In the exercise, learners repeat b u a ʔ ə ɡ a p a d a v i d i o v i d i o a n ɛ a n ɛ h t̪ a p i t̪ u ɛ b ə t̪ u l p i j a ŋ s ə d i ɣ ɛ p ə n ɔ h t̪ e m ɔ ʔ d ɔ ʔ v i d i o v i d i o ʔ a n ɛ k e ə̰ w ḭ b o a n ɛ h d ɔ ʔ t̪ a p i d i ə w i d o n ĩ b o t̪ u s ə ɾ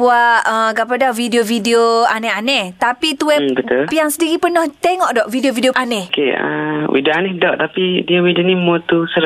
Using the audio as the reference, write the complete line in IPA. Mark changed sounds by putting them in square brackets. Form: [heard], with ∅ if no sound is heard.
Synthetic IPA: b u a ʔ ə ɡ a p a d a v i d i o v i d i o a n ɛ a n ɛ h t̪ a p i t̪ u ɛ b ə t̪ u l p i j a ŋ s ə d i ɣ [i] p ə n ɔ h t̪ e [ŋ] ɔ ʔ d ɔ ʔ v i d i o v i d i o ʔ a n ɛ k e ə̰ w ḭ [d] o a n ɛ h d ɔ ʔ t̪ a p i d i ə w i d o n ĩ [m] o t̪ u s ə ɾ